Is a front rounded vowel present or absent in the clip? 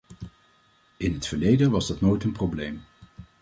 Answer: absent